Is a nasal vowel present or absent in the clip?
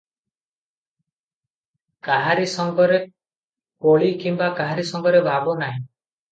present